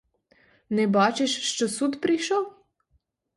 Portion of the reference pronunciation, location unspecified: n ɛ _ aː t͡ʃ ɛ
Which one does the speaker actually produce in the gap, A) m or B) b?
B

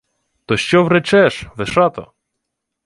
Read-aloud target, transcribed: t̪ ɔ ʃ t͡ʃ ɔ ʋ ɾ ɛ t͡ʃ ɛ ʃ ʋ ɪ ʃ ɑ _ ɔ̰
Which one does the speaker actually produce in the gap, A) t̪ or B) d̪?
A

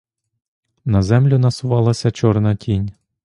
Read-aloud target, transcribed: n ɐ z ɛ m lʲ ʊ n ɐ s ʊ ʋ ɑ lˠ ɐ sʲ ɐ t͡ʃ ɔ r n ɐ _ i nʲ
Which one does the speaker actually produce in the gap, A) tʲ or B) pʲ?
A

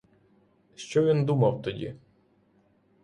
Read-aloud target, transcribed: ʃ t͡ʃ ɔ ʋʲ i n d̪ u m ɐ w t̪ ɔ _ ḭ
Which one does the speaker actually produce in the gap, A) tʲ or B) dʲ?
B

